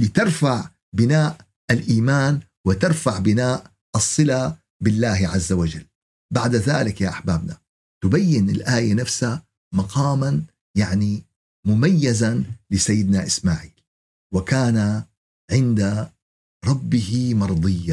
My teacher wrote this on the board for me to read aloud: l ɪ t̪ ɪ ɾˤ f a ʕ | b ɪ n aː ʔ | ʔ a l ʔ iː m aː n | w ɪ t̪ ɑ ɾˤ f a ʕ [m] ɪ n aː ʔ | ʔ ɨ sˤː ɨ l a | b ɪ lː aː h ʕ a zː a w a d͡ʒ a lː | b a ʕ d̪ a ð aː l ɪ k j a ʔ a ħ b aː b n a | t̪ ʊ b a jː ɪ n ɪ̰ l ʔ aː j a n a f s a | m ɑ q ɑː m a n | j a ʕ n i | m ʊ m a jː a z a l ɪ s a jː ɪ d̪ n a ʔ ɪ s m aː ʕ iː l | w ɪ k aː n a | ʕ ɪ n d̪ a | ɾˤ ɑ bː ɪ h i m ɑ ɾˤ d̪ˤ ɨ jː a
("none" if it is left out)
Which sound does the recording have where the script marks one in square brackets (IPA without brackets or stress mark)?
b